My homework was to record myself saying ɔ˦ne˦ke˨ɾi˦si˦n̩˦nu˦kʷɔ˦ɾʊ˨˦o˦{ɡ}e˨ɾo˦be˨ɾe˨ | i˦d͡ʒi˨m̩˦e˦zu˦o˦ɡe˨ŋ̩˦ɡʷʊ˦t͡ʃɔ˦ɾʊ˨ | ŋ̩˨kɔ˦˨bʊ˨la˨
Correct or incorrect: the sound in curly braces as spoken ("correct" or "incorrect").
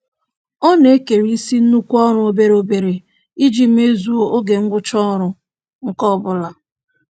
incorrect